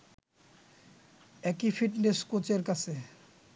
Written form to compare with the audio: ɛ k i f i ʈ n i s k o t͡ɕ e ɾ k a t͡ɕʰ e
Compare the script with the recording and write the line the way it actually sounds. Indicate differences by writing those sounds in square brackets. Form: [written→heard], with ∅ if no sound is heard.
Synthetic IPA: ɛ k i f i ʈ n [i→e] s k o t͡ɕ e ɾ k a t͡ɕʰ e